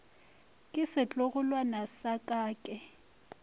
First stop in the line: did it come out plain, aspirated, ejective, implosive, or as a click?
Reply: ejective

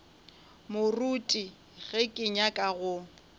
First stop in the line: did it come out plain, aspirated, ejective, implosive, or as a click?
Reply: ejective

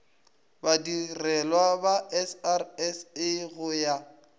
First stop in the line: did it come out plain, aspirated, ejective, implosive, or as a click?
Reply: plain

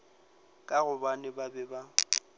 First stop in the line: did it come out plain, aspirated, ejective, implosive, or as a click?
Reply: ejective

